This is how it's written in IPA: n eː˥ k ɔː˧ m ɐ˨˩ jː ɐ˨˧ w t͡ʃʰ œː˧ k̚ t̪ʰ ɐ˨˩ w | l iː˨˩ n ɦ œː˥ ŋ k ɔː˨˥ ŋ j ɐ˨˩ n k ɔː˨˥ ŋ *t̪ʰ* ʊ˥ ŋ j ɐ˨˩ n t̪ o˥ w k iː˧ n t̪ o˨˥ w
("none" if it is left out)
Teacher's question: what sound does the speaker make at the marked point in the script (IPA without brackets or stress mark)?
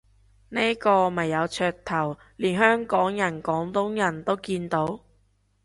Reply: t̪